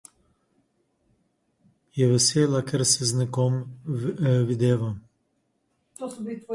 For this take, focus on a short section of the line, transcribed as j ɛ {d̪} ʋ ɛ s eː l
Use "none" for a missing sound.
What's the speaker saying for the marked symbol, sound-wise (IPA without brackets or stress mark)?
none